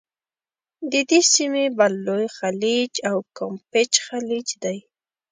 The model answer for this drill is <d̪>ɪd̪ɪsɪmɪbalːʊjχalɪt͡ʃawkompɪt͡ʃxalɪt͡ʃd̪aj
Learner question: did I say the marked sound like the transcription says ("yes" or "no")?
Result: yes